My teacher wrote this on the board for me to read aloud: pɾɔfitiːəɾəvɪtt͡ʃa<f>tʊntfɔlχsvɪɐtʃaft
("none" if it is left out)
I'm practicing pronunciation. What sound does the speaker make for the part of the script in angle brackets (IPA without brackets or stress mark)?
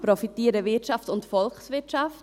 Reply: f